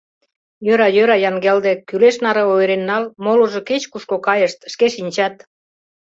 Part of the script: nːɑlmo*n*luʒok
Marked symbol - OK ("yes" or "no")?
no